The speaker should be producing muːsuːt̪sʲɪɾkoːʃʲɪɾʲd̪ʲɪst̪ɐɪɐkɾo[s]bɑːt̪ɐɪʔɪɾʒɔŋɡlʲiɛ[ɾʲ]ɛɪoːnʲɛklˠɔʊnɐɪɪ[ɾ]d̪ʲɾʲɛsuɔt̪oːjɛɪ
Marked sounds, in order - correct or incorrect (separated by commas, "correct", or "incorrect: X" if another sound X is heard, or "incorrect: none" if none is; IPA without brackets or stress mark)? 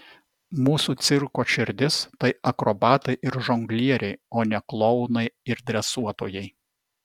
incorrect: none, correct, correct